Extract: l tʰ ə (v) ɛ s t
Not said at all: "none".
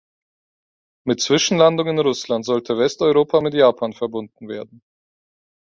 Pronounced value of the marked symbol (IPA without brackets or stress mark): v